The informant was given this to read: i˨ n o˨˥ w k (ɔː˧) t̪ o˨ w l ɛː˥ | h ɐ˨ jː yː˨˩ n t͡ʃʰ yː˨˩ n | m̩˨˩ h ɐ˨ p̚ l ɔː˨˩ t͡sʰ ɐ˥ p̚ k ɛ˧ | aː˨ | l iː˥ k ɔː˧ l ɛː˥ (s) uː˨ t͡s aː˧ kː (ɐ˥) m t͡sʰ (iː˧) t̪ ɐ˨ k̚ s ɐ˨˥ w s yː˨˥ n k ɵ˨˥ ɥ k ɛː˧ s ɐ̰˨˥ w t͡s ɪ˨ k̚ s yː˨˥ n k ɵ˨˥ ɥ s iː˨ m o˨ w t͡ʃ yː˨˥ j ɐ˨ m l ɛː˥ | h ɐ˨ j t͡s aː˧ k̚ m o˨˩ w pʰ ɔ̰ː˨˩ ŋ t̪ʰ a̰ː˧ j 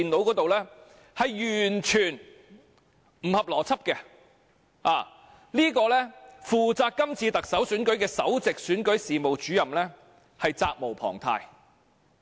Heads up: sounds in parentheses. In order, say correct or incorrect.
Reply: incorrect: ɔː˨˥, incorrect: f, correct, correct

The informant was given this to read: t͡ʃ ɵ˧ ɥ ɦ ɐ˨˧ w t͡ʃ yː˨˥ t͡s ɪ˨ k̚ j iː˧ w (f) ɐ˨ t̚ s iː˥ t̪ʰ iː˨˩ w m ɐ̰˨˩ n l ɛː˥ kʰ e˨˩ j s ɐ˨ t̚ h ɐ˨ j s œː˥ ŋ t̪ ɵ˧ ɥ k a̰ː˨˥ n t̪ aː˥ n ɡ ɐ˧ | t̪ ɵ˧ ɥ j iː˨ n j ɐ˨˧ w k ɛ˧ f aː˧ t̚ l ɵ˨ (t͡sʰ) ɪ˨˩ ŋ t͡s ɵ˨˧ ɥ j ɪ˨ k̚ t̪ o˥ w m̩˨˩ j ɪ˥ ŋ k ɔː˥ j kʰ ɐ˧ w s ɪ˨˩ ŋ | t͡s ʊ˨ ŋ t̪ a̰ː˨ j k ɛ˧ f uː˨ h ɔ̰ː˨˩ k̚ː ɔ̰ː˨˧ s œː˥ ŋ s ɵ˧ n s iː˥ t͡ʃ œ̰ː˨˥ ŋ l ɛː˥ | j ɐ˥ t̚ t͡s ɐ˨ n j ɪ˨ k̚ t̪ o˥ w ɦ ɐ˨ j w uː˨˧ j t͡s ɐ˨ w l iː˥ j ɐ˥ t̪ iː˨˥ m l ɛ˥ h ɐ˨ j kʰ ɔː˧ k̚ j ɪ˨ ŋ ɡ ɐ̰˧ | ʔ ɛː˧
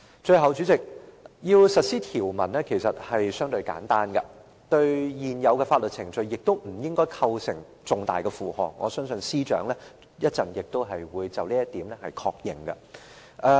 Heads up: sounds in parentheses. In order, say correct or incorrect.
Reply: incorrect: s, correct

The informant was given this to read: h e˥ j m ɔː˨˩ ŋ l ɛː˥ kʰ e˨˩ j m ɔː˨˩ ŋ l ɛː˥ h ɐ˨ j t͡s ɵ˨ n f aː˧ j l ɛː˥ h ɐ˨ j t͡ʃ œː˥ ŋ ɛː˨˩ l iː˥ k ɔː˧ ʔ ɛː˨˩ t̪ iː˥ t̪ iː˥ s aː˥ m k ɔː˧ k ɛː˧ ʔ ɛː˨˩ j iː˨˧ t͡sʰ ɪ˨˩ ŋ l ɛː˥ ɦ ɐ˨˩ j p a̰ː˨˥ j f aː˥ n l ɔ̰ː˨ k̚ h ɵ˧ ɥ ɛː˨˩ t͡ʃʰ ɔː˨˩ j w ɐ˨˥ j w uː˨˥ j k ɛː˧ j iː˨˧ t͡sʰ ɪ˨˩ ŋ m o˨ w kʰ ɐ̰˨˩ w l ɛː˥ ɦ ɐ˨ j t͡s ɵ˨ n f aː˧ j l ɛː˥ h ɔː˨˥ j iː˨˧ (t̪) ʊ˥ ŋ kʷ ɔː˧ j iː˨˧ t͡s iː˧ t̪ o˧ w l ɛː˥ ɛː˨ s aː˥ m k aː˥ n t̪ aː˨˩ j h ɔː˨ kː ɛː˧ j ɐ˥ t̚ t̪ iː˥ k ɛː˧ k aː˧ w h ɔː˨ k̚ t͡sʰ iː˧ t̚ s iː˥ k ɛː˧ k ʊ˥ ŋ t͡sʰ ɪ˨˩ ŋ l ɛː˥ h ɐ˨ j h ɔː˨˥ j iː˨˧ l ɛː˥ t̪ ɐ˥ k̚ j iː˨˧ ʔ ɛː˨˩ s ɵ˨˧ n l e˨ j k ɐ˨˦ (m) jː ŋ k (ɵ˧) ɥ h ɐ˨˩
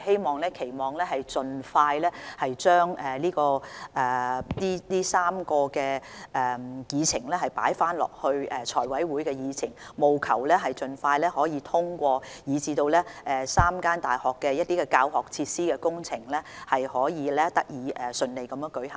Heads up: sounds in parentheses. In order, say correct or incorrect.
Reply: incorrect: t̪ʰ, correct, incorrect: ɵ˨˥

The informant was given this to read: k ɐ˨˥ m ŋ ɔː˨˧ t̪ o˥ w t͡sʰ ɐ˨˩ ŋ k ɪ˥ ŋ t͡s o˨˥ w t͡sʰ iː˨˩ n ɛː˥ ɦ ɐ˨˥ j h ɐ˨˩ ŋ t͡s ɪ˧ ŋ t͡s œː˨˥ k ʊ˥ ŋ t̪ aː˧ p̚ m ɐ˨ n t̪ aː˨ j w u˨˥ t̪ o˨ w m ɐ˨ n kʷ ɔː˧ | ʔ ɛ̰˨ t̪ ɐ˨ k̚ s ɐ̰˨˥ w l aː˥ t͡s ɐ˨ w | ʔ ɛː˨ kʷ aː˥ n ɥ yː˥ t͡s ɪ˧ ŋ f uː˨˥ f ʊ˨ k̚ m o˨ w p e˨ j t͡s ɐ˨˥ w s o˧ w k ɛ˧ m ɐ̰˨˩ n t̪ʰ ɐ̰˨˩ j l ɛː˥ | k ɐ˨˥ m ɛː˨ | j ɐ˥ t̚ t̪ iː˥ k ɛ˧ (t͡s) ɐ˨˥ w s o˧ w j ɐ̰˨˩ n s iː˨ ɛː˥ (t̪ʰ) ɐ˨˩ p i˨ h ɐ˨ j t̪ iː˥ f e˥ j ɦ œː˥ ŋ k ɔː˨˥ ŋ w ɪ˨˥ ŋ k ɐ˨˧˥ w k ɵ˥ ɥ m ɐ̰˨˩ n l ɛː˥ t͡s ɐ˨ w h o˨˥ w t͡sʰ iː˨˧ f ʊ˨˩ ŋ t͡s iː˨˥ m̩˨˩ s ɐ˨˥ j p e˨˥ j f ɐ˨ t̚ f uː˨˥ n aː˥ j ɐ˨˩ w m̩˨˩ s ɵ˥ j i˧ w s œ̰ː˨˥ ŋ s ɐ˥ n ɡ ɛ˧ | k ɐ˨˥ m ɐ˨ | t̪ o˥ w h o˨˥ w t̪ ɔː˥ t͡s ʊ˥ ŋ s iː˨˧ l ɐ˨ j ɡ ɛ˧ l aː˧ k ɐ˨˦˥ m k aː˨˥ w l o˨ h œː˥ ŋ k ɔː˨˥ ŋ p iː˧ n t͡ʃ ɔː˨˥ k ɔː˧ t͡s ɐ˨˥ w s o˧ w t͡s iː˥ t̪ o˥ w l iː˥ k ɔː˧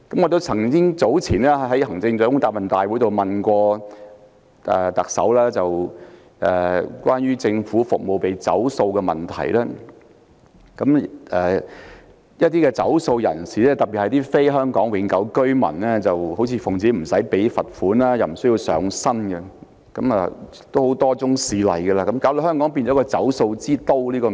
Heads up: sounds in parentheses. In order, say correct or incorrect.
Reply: correct, incorrect: t̪

